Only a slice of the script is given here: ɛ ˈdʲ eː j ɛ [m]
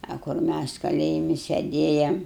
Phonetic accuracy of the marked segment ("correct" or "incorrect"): correct